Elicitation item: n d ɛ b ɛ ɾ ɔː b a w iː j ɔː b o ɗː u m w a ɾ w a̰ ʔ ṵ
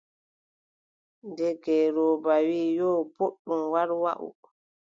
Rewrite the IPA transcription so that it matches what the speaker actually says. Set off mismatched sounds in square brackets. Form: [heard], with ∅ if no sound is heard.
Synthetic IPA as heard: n d ɛ [ɡ] ɛ ɾ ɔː b a w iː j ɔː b o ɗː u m w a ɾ w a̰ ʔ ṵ

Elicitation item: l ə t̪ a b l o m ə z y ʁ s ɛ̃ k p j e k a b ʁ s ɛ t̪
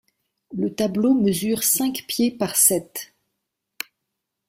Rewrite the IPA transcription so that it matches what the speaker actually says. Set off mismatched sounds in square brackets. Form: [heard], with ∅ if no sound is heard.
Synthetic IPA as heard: l ə t̪ a b l o m ə z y ʁ s ɛ̃ k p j e [p] a [∅] ʁ s ɛ t̪

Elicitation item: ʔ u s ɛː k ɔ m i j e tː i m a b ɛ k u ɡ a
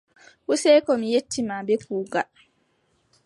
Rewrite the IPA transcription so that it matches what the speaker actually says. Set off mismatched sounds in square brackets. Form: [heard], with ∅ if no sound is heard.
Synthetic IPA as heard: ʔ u s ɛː k ɔ m i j e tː i m a b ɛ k [uː] ɡ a

